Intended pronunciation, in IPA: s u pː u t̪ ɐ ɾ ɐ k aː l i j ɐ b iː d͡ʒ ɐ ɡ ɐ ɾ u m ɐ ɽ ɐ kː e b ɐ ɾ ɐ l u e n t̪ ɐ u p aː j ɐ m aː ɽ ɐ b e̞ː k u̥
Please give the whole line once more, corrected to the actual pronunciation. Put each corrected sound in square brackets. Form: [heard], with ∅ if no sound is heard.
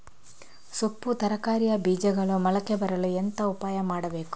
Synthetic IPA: s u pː u t̪ ɐ ɾ ɐ k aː [ɾ] i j ɐ b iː d͡ʒ ɐ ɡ ɐ [ɭ] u m ɐ [l] ɐ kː e b ɐ ɾ ɐ l u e n t̪ ɐ u p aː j ɐ m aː ɽ ɐ b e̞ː k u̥

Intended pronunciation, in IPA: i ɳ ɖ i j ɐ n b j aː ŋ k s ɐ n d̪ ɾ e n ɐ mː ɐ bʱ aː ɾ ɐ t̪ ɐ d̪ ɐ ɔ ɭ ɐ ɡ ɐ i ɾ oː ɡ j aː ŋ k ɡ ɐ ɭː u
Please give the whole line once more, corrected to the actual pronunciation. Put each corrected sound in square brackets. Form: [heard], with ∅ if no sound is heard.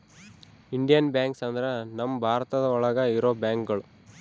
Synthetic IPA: i ɳ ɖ i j ɐ n b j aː ŋ k s ɐ n d̪ ɾ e n ɐ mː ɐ bʱ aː ɾ ɐ t̪ ɐ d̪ ɐ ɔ ɭ ɐ ɡ ɐ i ɾ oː [b] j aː ŋ k ɡ ɐ [ɭ] u

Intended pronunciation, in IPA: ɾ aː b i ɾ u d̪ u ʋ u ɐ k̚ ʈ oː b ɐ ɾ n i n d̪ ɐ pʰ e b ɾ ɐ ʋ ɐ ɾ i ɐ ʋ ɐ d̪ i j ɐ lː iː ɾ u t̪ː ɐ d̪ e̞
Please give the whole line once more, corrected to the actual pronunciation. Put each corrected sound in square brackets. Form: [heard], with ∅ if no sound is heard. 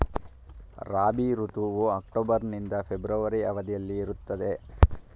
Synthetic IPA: ɾ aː b i ɾ u [t̪] u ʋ u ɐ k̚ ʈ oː b ɐ ɾ n i n d̪ ɐ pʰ e b ɾ ɐ ʋ ɐ ɾ i ɐ ʋ ɐ d̪ i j ɐ lː iː ɾ u t̪ː ɐ d̪ e̞

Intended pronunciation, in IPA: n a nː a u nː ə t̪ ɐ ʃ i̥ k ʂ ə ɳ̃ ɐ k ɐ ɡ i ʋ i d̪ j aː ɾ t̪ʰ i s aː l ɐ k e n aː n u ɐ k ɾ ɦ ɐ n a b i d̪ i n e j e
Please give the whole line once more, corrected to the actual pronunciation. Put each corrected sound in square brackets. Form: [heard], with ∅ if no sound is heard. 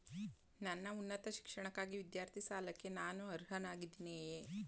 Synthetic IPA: n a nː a u nː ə t̪ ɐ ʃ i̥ k ʂ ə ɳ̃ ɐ k [a] ɡ i ʋ i d̪ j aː ɾ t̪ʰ i s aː l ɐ k e n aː n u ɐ [∅] ɾ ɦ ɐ n a [ɡ] i d̪ i n e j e

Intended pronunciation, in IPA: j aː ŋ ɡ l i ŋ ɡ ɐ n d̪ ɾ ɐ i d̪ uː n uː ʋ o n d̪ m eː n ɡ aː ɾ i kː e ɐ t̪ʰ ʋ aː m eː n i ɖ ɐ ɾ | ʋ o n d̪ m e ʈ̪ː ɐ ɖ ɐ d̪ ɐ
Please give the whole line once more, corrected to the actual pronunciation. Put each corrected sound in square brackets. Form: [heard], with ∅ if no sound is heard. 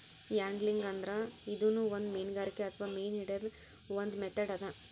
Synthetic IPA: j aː ŋ ɡ l i ŋ ɡ ɐ n d̪ ɾ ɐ i d̪ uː n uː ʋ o n d̪ m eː n ɡ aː ɾ i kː e ɐ t̪ʰ ʋ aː m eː n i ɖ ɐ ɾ | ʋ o n d̪ m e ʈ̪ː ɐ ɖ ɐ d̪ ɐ

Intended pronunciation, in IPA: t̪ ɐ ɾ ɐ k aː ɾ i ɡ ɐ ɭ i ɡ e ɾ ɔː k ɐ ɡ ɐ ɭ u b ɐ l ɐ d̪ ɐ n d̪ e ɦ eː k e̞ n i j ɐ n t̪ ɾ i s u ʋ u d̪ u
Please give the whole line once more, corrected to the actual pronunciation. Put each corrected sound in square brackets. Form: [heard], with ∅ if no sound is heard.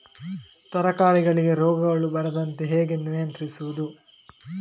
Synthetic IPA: t̪ ɐ ɾ ɐ k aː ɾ i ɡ ɐ ɭ i ɡ e ɾ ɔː [ɡ] ɐ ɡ ɐ ɭ u b ɐ [ɾ] ɐ d̪ ɐ n [t̪] e ɦ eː [ɡ] e̞ n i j ɐ n t̪ ɾ i s u ʋ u d̪ u

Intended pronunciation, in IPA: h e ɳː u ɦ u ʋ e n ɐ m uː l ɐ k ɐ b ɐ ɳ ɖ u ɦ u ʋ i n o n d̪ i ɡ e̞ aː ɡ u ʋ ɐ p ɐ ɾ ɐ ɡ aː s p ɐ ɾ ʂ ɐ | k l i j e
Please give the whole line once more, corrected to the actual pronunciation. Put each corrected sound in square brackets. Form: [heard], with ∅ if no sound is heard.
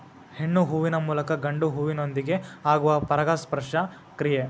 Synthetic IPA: h e ɳː u ɦ u ʋ [i] n ɐ m uː l ɐ k ɐ [ɡ] ɐ ɳ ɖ u ɦ u ʋ i n o n d̪ i ɡ e̞ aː ɡ u ʋ ɐ p ɐ ɾ ɐ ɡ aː s p ɐ ɾ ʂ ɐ | k [ɾ] i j e

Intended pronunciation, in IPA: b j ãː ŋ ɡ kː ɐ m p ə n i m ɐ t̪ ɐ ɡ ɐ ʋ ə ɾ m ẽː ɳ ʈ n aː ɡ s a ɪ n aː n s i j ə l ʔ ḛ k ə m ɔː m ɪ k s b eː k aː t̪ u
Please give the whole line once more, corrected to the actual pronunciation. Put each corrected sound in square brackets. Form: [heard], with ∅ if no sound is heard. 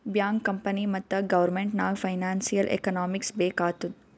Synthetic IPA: b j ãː ŋ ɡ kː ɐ m p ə n i m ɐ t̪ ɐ ɡ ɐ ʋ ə ɾ m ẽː ɳ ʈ n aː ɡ [f] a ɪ n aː n s i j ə l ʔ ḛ k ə [n] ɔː m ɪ k s b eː k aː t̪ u

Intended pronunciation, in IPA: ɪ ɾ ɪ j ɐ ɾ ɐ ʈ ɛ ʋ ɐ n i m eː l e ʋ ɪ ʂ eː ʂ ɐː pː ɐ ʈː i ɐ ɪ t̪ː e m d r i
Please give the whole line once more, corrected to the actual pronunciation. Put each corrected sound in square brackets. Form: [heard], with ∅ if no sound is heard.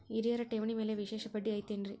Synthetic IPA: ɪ ɾ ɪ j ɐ ɾ ɐ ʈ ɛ ʋ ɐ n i m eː l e ʋ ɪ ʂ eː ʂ [ɐ] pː ɐ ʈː i ɐ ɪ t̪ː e [n] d r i

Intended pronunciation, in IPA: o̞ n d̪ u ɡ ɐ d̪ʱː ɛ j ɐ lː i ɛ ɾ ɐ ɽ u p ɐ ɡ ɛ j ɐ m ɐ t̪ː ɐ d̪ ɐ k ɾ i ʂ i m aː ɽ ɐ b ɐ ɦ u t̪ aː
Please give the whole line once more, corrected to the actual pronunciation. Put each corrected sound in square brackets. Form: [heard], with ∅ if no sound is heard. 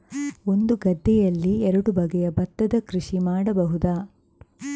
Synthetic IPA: o̞ n d̪ u ɡ ɐ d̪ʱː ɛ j ɐ lː i ɛ ɾ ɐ ɽ u [b] ɐ ɡ ɛ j ɐ [b] ɐ t̪ː ɐ d̪ ɐ k ɾ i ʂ i m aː ɽ ɐ b ɐ ɦ u [d̪] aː

